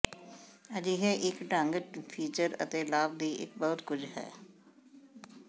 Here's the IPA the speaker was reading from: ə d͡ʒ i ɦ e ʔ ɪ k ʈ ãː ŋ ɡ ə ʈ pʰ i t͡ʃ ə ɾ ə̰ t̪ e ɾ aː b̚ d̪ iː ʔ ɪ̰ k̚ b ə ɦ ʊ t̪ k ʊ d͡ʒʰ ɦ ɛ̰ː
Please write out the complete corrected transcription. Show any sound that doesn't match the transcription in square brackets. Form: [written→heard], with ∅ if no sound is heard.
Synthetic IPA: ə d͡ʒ i ɦ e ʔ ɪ k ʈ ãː ŋ ɡ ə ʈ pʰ [i→iː] t͡ʃ ə ɾ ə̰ t̪ e [ɾ→l] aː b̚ d̪ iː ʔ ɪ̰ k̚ b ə ɦ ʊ t̪ k ʊ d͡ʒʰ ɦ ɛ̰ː